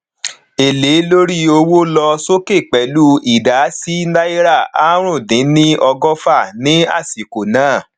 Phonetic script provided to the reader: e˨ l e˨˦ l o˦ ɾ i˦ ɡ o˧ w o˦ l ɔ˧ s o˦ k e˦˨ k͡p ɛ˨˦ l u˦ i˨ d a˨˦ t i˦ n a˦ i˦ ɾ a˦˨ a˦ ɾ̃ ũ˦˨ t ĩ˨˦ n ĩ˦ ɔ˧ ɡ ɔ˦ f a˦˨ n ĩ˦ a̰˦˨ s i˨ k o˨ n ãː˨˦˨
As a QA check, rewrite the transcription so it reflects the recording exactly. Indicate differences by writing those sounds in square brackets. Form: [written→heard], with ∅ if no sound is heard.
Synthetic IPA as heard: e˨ l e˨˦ l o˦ ɾ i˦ [ɡ→∅] o˧ w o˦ l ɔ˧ s o˦ k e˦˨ k͡p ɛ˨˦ l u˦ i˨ d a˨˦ [t→s] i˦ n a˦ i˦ ɾ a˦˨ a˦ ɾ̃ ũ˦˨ [t→d] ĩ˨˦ n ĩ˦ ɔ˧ ɡ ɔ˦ f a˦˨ n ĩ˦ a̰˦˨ s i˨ k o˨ n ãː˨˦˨